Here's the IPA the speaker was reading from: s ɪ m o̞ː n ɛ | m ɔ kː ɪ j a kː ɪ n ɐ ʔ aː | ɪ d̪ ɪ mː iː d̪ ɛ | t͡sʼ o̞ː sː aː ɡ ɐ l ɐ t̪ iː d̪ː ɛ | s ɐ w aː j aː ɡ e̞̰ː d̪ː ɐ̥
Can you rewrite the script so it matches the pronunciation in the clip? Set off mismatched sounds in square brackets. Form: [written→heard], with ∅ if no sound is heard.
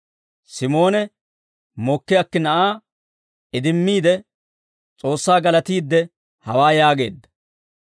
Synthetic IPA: s ɪ m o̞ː n ɛ | m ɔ kː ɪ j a kː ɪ n ɐ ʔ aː | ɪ d̪ ɪ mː iː d̪ ɛ | t͡sʼ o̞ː sː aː ɡ ɐ l ɐ t̪ iː d̪ː ɛ | [s→h] ɐ w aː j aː ɡ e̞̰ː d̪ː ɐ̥